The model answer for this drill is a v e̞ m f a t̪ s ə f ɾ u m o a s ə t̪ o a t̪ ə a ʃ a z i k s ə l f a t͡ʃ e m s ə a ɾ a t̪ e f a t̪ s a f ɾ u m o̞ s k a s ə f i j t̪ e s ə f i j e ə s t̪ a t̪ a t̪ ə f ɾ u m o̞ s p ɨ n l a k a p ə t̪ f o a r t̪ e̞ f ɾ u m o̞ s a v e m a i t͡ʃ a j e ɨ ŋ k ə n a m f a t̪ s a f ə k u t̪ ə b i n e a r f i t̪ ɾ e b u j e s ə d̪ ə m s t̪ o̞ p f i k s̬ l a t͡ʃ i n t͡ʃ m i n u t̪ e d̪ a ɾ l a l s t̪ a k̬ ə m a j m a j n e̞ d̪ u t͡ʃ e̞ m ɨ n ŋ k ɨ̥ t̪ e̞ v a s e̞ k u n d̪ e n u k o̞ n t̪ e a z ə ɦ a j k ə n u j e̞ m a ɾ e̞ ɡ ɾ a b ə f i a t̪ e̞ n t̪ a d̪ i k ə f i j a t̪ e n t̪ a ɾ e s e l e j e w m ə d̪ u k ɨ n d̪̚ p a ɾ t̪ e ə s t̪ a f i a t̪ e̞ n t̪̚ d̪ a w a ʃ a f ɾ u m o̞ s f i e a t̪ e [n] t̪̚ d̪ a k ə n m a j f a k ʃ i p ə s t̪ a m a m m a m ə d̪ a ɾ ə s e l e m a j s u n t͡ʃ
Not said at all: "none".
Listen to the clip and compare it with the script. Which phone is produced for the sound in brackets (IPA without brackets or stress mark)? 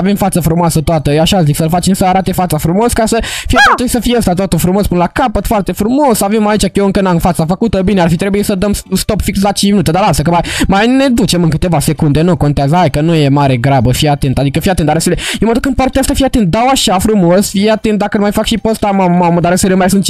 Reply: n